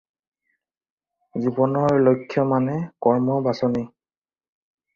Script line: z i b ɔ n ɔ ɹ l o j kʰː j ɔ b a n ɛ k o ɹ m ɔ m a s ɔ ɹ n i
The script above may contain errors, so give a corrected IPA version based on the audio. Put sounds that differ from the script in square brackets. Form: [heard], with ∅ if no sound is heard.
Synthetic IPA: z i b ɔ n ɔ ɹ l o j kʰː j ɔ [m] a n ɛ k [ɔ] ɹ m ɔ [b] a s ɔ [∅] n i